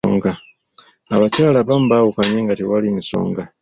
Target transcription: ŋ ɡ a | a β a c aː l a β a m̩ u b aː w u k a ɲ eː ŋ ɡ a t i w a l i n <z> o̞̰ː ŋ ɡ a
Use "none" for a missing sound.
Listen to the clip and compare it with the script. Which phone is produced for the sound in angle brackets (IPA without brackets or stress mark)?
s